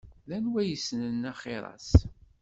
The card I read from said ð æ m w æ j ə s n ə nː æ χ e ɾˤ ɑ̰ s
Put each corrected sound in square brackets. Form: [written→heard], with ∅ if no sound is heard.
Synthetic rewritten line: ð æ [m→n] w æ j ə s n ə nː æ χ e ɾˤ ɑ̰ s